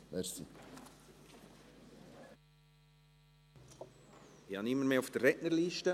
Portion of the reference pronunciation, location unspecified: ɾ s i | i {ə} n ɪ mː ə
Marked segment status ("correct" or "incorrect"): incorrect